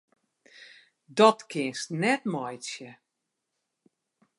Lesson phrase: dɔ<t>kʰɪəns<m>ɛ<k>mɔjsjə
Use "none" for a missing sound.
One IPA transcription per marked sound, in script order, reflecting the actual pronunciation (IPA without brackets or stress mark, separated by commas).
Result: t, n, t